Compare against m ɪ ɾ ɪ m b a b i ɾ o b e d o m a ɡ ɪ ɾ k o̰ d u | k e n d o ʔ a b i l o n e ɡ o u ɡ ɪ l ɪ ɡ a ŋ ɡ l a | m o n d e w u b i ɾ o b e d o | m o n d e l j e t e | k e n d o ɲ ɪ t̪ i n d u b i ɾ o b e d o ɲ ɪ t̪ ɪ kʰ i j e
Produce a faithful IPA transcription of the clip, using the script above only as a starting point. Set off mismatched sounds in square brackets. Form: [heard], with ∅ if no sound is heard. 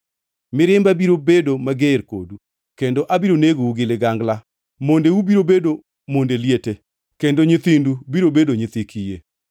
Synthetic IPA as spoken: m ɪ ɾ ɪ m b a b i ɾ o b e d o m a ɡ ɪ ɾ k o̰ d u | k e n d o ʔ a b i [ɾ] o n e ɡ o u ɡ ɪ l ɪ ɡ a ŋ ɡ l a | m o n d e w u b i ɾ o b e d o | m o n d e l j e t e | k e n d o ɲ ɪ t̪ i n d u b i ɾ o b e d o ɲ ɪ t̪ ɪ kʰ i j e